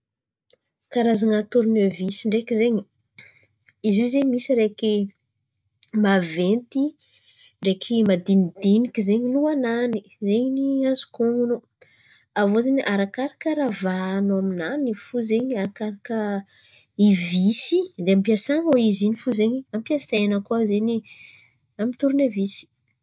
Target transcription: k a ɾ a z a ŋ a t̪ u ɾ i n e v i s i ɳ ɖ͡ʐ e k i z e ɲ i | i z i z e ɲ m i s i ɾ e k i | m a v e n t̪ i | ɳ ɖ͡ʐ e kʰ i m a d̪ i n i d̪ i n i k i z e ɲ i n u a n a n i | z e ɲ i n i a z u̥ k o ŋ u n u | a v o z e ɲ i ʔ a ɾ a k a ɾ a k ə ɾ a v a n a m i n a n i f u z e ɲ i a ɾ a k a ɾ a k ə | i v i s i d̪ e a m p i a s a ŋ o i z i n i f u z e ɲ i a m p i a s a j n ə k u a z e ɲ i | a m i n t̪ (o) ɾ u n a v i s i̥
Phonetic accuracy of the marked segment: incorrect: u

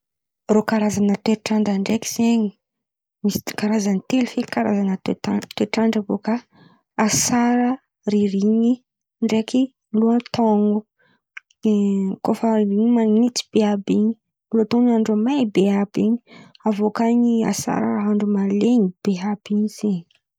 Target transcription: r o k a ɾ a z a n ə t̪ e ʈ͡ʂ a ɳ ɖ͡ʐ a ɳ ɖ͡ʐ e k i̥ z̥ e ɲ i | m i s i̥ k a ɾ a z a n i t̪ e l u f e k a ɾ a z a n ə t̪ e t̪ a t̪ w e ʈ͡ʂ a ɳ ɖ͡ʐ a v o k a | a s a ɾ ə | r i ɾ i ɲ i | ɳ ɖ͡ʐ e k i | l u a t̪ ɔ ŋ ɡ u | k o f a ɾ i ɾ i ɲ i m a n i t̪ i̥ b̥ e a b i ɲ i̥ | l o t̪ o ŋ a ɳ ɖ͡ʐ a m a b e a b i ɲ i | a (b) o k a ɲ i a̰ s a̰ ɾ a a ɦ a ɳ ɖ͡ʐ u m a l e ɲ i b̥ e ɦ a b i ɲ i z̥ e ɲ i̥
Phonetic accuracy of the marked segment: incorrect: v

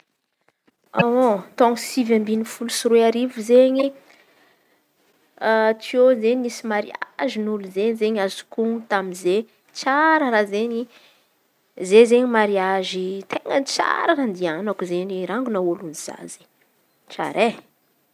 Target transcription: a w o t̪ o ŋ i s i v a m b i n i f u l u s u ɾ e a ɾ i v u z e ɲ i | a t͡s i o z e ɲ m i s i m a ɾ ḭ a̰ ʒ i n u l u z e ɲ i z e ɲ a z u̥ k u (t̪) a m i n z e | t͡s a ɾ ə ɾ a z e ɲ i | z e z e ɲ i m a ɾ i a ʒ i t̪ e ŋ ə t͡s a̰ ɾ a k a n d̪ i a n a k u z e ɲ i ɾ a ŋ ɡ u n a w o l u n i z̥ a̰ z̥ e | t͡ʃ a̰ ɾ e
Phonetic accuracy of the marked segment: correct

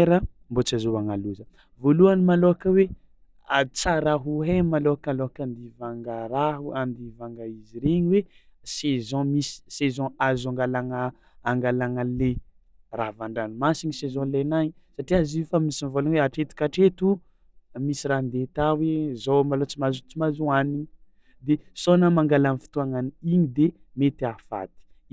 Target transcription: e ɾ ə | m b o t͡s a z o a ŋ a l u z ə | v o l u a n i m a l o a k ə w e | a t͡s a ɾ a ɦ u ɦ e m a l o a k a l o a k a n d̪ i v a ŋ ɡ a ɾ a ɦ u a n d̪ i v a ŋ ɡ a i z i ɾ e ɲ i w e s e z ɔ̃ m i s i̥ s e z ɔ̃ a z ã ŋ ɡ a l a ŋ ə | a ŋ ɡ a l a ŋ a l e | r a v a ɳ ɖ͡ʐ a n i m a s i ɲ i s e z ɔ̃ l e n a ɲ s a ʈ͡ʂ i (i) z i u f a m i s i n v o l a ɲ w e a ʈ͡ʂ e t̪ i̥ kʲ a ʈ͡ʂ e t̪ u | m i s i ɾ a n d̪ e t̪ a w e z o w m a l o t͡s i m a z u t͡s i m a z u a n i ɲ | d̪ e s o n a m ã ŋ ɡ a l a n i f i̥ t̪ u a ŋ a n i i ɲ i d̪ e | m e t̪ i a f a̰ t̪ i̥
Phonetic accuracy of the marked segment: incorrect: a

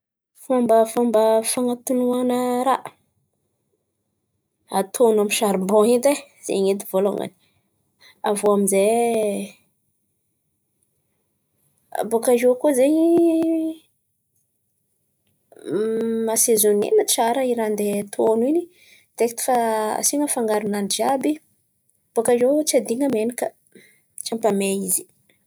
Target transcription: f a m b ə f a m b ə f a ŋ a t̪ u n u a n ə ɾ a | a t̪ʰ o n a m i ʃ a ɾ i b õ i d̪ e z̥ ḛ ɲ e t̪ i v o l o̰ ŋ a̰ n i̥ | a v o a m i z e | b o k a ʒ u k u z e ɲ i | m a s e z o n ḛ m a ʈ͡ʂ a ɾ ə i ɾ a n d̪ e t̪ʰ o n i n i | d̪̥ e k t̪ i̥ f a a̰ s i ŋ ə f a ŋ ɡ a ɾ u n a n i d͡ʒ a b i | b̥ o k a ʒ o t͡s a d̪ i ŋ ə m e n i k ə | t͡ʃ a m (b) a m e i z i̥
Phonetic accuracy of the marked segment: incorrect: p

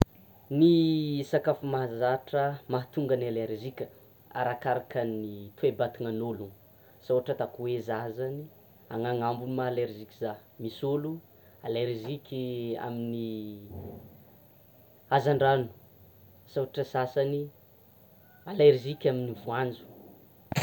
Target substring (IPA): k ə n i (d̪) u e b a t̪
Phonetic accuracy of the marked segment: incorrect: t̪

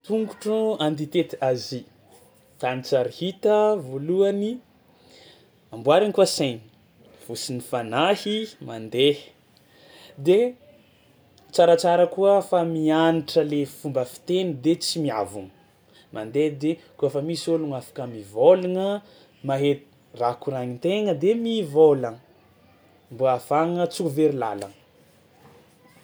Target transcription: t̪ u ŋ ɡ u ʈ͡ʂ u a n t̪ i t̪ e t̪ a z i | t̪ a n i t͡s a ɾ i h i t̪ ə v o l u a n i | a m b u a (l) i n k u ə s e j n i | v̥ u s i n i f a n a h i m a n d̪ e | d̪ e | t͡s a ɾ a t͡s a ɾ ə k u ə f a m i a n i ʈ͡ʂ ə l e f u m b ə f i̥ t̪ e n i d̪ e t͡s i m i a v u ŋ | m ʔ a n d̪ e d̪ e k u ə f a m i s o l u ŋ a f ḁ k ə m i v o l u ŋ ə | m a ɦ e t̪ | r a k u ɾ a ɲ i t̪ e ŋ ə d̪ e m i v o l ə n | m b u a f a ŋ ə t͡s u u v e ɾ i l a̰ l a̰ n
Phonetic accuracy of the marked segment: incorrect: ɾ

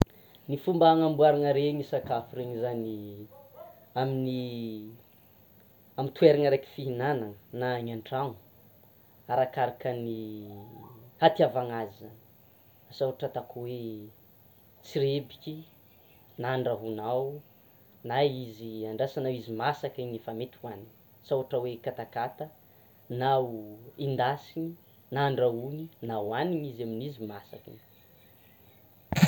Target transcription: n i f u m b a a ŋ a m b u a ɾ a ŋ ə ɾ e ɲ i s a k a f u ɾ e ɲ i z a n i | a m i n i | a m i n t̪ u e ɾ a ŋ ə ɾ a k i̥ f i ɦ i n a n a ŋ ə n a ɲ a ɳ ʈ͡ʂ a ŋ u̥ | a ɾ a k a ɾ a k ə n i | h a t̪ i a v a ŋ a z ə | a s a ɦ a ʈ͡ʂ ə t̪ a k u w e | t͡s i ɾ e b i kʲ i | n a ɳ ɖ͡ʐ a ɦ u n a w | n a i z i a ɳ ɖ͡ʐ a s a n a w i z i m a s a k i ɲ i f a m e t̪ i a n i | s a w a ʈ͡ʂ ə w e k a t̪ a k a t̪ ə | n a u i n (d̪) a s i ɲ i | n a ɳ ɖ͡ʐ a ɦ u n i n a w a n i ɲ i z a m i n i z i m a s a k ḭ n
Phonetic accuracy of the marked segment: correct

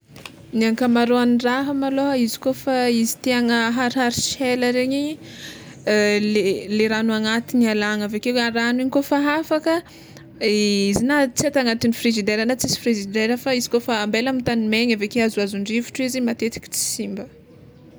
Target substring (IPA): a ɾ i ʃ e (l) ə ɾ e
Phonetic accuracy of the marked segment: correct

